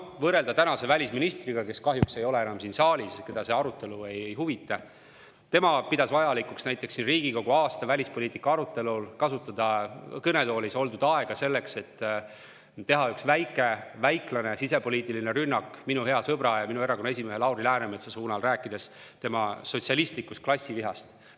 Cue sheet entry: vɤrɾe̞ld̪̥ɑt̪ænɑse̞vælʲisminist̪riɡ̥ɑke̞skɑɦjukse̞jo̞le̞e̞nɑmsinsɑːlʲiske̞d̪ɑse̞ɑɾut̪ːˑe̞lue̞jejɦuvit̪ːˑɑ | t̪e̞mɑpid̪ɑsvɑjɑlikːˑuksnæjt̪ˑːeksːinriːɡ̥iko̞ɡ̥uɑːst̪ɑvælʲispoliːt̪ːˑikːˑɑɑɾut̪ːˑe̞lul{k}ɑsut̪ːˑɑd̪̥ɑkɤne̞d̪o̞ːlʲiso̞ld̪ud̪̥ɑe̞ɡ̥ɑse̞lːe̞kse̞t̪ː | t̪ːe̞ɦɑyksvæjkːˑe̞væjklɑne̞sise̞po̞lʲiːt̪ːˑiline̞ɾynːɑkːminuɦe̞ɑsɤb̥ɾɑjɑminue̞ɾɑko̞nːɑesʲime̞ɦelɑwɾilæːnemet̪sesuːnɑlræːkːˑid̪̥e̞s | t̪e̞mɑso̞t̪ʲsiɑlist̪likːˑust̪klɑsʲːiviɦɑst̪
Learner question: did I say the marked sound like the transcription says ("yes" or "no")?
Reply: yes